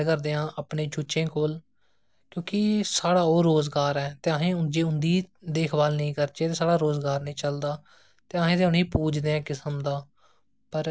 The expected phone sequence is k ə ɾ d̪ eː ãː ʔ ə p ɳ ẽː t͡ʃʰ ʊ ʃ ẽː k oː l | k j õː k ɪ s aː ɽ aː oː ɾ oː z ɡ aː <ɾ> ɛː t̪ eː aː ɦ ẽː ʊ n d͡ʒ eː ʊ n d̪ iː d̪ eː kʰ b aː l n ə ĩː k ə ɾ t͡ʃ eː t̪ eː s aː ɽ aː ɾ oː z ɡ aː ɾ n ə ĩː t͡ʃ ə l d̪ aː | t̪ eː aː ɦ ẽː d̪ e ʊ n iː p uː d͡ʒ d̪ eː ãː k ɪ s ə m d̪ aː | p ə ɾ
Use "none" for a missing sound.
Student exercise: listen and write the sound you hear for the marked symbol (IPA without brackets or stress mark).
ɾ